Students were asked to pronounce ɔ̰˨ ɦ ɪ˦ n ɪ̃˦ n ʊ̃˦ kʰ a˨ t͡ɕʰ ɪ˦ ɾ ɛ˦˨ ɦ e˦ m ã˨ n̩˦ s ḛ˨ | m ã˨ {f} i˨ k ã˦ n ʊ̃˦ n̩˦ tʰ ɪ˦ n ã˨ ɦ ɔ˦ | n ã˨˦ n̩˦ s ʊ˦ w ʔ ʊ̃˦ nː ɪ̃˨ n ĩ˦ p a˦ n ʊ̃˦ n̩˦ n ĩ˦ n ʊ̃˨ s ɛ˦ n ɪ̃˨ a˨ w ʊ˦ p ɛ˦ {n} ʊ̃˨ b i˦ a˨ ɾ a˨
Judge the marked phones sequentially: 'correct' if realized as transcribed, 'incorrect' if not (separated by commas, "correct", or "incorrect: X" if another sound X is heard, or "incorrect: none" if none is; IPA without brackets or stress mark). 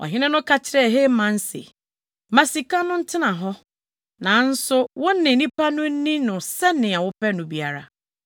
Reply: incorrect: s, correct